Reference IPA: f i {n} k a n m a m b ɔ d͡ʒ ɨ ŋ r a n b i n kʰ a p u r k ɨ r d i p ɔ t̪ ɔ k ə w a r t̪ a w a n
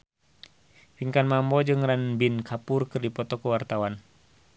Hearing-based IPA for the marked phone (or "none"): ŋ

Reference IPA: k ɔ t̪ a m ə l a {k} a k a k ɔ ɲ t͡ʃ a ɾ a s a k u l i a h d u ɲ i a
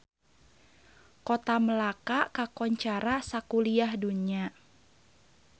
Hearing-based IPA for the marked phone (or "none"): k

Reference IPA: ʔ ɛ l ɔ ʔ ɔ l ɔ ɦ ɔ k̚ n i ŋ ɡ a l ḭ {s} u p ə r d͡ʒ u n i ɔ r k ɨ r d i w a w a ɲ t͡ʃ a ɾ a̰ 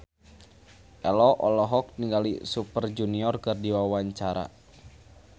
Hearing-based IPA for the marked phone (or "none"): s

